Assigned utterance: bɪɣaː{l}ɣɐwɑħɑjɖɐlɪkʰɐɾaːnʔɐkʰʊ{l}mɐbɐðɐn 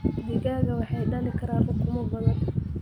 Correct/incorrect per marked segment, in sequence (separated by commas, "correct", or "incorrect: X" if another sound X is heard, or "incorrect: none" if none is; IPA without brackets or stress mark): incorrect: none, incorrect: none